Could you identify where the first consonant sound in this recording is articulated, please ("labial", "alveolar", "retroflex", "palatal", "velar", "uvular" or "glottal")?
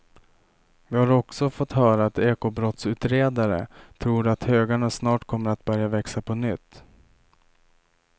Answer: labial